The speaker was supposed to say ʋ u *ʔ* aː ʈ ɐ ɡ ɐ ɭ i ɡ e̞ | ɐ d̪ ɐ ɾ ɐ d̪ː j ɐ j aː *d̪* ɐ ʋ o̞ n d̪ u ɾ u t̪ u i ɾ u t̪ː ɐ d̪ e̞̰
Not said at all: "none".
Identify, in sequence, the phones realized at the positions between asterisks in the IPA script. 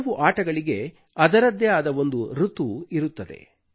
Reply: ʔ, d̪

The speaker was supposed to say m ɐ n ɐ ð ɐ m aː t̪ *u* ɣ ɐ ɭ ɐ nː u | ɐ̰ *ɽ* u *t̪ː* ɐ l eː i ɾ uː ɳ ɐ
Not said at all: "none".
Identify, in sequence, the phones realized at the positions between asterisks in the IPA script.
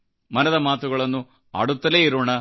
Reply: u, ɽ, t̪ː

